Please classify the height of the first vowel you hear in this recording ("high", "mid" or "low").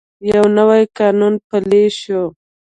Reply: low